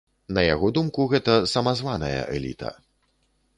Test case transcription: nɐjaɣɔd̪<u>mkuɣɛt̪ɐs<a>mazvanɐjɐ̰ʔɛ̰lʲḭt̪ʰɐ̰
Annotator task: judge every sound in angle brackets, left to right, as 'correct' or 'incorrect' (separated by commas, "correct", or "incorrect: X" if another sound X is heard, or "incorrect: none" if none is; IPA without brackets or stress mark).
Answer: correct, incorrect: ɐ